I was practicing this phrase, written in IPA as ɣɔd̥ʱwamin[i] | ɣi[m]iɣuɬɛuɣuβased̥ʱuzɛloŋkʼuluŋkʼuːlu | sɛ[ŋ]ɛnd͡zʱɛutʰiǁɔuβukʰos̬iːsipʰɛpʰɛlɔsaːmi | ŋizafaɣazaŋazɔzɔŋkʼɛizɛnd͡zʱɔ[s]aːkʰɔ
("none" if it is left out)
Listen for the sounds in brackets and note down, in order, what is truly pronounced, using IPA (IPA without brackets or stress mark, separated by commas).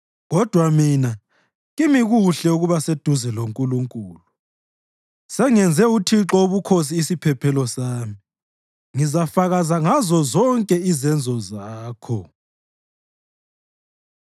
a, m, ŋ, z